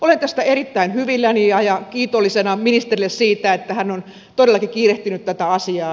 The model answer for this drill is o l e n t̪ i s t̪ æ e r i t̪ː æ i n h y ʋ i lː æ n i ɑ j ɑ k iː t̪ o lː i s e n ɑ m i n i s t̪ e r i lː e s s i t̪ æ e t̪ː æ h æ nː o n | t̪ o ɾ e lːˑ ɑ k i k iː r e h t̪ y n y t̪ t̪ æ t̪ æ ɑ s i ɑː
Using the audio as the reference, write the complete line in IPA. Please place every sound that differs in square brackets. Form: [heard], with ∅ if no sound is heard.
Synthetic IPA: o l e n t̪ [æ] s t̪ æ e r i t̪ː æ i n h y ʋ i lː æ n i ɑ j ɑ k iː t̪ o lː i s e n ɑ m i n i s t̪ e r i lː e s s [iː] t̪ æ e t̪ː æ h æ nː o n | t̪ o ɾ e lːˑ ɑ k i k iː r e h t̪ y n y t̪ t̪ æ t̪ æ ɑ s i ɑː